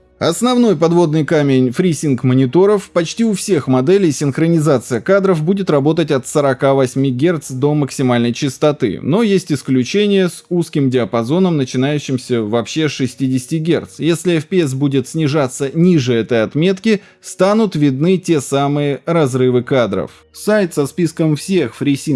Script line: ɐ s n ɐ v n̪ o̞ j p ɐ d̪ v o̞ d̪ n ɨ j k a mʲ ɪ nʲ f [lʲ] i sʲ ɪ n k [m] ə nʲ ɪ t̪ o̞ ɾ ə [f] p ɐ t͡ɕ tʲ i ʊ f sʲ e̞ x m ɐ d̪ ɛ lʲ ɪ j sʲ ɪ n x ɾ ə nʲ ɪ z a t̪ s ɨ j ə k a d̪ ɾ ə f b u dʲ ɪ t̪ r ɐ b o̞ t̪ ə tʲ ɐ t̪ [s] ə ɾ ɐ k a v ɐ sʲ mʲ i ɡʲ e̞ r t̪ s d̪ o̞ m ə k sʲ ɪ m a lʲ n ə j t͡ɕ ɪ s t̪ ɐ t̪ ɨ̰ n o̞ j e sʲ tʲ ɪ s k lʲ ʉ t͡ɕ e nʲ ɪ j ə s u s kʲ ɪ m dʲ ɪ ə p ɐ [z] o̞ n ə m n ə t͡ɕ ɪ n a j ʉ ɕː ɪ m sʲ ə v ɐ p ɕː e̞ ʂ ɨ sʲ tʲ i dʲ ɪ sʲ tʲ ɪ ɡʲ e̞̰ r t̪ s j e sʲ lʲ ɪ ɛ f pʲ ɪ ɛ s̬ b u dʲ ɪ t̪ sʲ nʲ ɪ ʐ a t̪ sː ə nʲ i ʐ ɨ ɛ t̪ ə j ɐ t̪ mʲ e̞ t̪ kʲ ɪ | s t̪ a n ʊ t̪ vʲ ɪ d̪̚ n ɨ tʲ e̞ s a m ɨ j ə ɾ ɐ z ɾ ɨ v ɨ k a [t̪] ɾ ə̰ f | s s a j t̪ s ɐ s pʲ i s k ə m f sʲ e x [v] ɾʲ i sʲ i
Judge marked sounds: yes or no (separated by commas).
no, yes, yes, yes, yes, no, no